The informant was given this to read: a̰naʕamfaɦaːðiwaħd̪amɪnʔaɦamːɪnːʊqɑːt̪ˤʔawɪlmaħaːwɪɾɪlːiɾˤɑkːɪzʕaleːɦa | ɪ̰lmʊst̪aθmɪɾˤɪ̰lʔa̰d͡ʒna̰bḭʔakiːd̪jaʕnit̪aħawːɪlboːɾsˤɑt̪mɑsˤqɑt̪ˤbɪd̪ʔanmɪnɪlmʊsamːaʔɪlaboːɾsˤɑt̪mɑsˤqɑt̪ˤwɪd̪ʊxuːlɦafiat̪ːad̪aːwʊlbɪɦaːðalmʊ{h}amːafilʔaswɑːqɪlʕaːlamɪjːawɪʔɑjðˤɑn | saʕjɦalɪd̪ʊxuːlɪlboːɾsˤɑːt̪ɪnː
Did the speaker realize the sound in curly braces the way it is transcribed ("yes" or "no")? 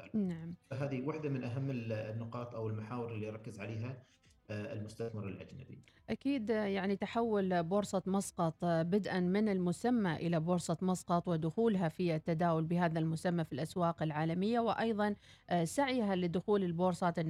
no